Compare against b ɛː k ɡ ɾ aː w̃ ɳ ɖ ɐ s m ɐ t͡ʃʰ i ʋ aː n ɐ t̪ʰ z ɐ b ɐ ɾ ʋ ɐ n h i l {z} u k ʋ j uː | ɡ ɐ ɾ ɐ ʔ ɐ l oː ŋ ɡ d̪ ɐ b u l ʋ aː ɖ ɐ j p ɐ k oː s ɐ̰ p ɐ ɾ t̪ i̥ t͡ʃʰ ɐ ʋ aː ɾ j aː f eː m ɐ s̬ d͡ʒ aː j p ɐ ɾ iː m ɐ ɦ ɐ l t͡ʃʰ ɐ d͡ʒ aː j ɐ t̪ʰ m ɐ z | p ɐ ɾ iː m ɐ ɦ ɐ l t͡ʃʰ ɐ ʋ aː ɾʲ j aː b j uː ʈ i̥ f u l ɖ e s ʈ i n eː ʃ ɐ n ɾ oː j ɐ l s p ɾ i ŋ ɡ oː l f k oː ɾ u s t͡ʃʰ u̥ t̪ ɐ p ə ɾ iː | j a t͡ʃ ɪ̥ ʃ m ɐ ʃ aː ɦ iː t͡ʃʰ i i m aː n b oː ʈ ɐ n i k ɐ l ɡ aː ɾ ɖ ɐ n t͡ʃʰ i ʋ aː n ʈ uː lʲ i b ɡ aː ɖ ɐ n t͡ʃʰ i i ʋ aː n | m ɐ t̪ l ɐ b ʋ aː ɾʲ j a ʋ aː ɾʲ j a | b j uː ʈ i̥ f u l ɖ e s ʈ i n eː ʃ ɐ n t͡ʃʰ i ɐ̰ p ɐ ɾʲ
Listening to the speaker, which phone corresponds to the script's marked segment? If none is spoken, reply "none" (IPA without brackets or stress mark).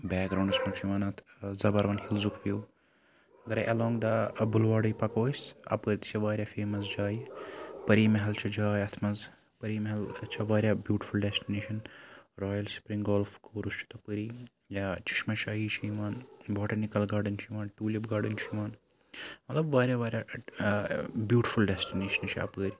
z